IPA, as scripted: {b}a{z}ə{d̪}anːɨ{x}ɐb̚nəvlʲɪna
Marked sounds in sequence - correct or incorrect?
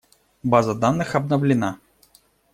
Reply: correct, correct, correct, correct

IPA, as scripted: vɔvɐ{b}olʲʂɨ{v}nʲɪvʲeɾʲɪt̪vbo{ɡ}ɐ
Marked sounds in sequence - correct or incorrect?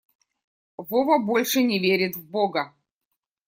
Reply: correct, incorrect: none, correct

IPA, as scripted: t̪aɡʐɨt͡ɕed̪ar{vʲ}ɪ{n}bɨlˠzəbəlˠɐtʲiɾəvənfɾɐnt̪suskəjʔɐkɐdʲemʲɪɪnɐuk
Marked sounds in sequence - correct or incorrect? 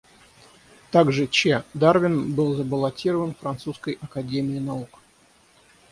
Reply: correct, correct

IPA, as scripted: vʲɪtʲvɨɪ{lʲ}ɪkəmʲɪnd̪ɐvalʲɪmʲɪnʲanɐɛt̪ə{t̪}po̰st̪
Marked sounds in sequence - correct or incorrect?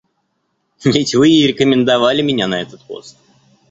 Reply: incorrect: ɾʲ, correct

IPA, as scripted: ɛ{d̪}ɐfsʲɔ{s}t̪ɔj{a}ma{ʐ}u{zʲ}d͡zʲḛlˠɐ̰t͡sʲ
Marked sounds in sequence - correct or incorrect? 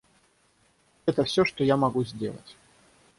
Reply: incorrect: t̪, incorrect: ʂ, correct, incorrect: ɣ, correct

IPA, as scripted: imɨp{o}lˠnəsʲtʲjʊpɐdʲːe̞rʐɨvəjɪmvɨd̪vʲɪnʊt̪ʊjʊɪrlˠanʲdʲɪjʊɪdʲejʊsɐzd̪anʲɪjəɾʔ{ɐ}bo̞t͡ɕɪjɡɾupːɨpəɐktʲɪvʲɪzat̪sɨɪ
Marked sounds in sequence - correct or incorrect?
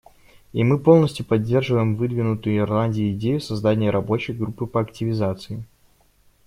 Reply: correct, correct

